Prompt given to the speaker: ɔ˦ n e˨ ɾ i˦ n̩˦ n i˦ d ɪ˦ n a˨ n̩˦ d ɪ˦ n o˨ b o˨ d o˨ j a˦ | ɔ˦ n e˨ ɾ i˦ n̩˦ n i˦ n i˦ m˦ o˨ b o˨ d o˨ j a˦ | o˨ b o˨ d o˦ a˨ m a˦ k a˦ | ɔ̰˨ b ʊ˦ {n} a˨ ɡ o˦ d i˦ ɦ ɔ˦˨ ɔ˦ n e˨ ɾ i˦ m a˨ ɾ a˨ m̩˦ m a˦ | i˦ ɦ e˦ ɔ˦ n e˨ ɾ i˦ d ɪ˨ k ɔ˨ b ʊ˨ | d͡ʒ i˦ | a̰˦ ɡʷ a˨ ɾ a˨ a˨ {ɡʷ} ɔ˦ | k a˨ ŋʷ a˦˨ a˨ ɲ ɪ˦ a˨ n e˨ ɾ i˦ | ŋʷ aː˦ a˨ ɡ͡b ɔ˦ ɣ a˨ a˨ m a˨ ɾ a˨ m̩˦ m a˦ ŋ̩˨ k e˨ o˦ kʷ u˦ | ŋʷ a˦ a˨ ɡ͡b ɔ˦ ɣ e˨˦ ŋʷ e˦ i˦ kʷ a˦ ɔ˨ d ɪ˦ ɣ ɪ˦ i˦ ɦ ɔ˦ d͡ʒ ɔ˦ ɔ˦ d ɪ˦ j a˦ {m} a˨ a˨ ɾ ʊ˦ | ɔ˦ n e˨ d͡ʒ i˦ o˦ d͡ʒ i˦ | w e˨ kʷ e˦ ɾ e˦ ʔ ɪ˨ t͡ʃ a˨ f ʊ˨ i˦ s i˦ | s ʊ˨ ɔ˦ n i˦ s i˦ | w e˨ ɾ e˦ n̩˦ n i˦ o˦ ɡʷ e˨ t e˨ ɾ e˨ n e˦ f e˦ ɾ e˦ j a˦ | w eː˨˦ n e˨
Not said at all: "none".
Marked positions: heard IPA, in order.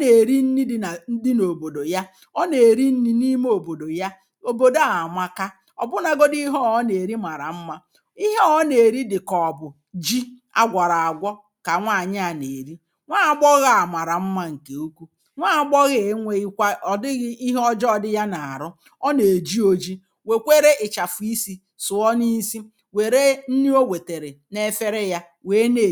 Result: n, ɡʷ, n

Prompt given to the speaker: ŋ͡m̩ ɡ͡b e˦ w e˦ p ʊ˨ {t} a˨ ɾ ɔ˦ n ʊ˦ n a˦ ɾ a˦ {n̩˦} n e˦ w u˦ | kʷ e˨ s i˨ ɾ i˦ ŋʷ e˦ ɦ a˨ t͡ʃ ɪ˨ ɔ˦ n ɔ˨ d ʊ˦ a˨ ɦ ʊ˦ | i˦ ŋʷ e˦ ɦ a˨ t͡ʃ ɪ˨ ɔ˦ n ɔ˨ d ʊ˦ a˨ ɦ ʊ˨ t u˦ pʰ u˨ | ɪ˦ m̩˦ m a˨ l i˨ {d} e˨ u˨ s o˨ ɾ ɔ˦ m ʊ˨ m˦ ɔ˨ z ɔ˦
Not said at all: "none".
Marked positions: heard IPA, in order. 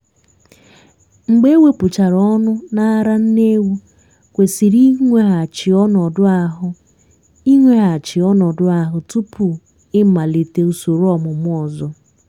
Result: t͡ʃ, n̩˦, t

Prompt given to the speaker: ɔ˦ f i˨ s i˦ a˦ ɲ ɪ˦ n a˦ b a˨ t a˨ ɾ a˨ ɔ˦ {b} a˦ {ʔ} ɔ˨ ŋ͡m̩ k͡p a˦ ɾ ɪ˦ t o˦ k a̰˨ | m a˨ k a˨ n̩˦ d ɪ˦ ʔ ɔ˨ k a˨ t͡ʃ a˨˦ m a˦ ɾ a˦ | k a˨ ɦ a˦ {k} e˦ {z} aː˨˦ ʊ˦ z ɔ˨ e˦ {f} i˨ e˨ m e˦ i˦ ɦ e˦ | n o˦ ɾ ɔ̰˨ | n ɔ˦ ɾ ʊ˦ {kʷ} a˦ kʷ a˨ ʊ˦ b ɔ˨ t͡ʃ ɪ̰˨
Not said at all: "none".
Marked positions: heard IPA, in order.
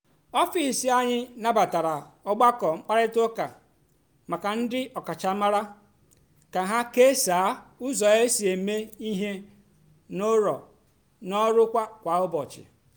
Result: ɡ͡b, k, k, s, s, kʷ

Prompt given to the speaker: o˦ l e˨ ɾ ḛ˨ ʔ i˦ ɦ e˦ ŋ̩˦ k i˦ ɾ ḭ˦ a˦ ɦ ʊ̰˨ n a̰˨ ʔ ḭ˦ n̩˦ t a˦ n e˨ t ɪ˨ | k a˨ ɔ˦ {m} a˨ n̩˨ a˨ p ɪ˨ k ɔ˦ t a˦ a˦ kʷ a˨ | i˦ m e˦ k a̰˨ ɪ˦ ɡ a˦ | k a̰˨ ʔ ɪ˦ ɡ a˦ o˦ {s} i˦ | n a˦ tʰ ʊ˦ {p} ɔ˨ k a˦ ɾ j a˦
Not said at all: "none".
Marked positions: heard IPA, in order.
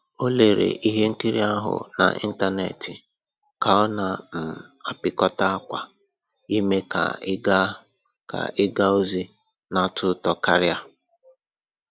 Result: n, z, t

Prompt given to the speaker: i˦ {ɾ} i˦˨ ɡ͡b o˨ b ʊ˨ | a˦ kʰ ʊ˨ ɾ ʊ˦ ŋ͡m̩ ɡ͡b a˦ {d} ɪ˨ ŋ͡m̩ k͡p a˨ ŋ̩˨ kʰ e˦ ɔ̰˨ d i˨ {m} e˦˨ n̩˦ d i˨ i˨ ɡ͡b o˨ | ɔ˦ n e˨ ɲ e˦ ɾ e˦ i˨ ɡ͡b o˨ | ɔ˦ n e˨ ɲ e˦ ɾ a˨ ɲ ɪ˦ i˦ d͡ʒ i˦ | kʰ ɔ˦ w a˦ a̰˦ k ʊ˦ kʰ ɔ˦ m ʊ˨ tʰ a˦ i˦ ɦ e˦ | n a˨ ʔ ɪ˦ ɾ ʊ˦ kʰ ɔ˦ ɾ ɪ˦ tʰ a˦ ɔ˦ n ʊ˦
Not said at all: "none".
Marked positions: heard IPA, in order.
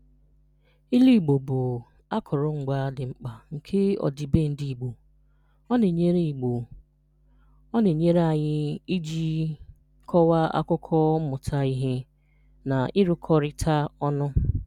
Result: l, d, b

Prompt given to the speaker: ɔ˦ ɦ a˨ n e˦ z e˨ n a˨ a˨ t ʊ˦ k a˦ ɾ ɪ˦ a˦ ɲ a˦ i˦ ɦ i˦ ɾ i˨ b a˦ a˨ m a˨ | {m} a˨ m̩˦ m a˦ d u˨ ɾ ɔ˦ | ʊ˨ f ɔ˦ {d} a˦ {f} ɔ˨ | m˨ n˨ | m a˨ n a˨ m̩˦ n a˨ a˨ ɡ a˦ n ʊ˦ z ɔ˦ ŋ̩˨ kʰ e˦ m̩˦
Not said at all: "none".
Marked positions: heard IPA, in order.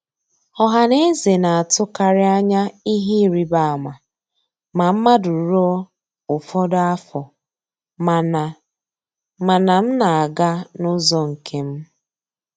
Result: m, d, f

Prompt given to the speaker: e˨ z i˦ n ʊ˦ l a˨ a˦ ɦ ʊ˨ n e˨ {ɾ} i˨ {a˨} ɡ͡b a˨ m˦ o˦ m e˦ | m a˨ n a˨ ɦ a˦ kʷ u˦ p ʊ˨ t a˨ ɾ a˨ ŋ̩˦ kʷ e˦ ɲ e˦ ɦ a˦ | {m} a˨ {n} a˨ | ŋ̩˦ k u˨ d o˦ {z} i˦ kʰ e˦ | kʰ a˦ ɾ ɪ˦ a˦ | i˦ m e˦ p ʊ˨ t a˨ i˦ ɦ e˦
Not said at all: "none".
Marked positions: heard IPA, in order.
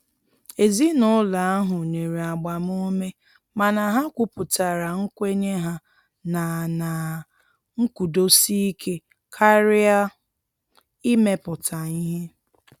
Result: ɾ, a˨, n, n, s

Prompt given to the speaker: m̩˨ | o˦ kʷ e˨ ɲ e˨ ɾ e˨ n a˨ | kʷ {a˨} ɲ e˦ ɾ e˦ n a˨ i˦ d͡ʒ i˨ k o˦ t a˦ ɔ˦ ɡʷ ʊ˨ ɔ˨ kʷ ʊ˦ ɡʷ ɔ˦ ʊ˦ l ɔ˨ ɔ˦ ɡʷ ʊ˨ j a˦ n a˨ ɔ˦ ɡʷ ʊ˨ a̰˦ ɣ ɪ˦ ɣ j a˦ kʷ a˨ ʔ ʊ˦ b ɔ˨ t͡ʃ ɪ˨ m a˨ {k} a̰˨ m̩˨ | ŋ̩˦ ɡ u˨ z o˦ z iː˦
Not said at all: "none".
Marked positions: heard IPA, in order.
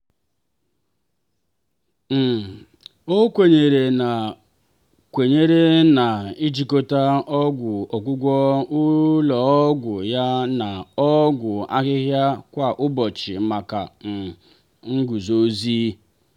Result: e˨, k

